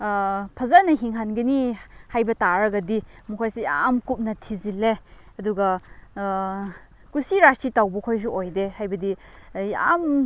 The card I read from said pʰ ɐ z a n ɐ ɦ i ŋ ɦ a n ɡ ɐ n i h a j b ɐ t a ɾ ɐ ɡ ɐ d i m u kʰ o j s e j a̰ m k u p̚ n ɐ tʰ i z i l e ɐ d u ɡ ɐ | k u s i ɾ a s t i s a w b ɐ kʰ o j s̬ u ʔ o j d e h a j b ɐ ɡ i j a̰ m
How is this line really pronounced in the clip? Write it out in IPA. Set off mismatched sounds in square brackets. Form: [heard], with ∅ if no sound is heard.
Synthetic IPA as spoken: pʰ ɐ z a n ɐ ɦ i ŋ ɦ a n ɡ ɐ n i h a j b ɐ t a ɾ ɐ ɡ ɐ d i m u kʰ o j s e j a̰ m k u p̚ n ɐ tʰ i z i l e ɐ d u ɡ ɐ | k u s i ɾ a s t i [t] a w b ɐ kʰ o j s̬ u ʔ o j d e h a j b ɐ [d] i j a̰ m

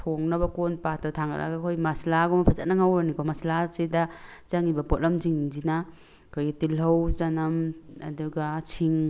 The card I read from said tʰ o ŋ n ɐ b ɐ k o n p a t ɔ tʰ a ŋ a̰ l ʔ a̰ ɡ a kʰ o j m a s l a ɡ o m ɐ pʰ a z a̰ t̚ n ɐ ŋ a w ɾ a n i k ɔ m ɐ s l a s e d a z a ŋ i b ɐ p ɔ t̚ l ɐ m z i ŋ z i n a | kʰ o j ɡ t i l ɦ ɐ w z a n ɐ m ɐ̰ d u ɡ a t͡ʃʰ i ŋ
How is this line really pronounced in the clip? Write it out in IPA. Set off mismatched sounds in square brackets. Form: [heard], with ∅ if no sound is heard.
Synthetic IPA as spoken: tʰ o ŋ n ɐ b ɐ k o n p a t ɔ tʰ a ŋ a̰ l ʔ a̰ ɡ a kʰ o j m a s l a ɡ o m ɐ pʰ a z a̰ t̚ n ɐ ŋ a w ɾ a n i k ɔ m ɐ s l a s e d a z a ŋ i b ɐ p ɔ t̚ l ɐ m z i ŋ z i n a | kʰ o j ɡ t i l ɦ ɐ w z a n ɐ m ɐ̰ d u ɡ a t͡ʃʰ i ŋ

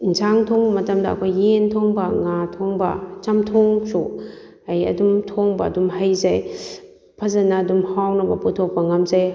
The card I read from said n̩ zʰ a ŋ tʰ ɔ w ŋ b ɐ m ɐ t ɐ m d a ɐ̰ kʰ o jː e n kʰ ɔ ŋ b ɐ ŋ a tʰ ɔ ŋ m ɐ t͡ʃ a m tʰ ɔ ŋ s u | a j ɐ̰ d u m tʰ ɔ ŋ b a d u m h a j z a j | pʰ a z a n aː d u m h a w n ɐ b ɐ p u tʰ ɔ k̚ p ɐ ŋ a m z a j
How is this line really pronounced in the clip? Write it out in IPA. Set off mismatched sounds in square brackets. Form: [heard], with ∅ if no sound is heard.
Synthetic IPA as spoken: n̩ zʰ a ŋ tʰ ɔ [∅] ŋ b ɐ m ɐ t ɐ m d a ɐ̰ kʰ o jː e n [tʰ] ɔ ŋ b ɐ ŋ a tʰ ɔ ŋ [b] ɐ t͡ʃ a m tʰ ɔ ŋ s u | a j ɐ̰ d u m tʰ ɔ ŋ b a d u m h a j z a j | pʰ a z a n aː d u m h a w n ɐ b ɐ p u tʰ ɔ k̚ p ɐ ŋ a m z a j

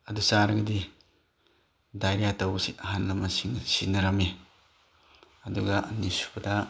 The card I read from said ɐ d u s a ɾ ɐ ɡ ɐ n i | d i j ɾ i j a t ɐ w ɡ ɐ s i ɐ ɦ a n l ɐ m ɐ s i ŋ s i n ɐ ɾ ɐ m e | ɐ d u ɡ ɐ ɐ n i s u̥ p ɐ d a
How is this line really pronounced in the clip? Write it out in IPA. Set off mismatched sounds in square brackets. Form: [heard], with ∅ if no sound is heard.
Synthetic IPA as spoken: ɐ d u s a ɾ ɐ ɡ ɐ [d] i | d [a] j ɾ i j a t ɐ w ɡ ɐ s i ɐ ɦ a n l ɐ m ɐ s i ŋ s i n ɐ ɾ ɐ m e | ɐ d u ɡ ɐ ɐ n i s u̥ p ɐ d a

